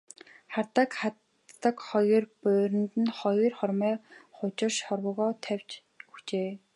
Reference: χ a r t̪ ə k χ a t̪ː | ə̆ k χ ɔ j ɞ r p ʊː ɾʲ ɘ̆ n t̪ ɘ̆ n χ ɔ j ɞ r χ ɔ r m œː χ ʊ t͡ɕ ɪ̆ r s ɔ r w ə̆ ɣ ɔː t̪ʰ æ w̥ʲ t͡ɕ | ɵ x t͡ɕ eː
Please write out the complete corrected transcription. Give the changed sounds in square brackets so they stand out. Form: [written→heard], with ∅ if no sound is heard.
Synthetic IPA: χ a r t̪ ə k χ a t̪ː | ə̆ k χ ɔ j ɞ r p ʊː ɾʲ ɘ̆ n t̪ ɘ̆ n χ ɔ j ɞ r χ ɔ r m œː χ ʊ t͡ɕ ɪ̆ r [s→ʃ] ɔ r w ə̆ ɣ ɔː t̪ʰ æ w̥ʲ t͡ɕ | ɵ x t͡ɕ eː